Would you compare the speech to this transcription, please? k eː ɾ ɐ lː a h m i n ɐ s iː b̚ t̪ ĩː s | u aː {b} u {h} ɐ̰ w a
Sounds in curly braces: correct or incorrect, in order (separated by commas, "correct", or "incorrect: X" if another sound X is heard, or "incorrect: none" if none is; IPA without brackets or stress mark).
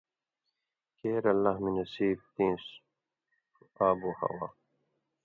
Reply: correct, correct